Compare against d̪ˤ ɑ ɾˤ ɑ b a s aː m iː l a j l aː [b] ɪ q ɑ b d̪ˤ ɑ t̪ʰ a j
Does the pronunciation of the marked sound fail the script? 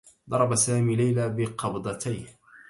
no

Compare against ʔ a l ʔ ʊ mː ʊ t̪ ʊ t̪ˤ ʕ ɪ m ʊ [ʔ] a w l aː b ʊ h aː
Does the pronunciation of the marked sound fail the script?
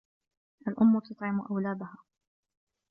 no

